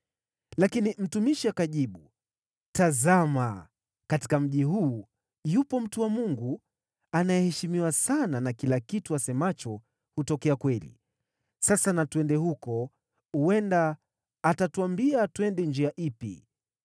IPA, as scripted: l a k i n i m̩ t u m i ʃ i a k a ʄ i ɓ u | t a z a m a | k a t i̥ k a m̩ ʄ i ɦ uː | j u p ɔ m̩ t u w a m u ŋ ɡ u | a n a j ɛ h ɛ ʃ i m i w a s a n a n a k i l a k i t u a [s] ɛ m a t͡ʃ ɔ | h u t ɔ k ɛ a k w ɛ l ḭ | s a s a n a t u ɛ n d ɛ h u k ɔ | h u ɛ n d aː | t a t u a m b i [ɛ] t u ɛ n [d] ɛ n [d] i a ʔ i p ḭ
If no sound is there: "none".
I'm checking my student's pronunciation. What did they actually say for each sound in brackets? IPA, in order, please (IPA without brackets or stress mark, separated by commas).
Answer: s, a, d, d͡ʒ